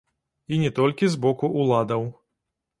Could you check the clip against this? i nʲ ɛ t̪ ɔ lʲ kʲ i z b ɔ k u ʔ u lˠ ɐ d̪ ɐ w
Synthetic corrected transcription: i nʲ ɛ t̪ ɔ lʲ kʲ i z b ɔ k u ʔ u lˠ a d̪ ɐ w